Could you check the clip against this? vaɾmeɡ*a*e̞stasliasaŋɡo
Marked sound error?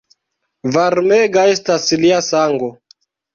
no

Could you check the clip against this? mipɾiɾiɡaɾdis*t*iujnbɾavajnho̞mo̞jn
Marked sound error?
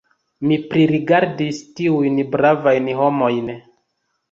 no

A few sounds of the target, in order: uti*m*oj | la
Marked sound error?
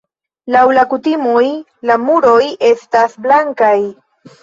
no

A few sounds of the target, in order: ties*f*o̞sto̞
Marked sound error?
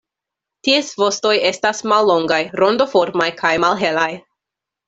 yes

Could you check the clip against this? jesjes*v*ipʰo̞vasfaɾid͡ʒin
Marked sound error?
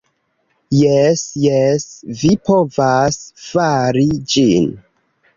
no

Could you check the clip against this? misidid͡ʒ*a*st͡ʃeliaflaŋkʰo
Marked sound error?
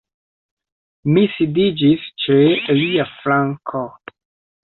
yes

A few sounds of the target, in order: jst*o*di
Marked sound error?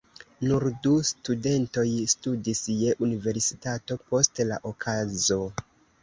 yes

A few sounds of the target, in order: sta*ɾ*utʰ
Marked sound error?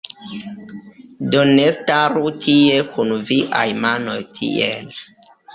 no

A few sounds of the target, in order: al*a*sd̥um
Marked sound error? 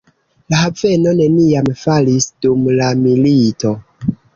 yes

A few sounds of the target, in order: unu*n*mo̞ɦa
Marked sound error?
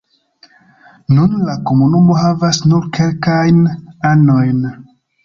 yes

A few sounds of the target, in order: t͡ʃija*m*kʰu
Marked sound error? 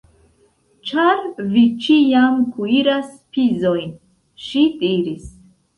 no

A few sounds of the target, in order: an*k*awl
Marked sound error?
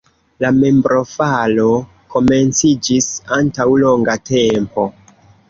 yes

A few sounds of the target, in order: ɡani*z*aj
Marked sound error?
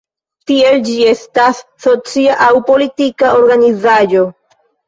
no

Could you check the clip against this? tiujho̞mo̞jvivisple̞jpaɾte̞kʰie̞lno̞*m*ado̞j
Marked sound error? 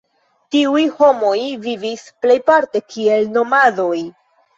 no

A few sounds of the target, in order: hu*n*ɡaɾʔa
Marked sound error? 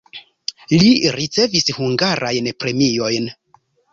yes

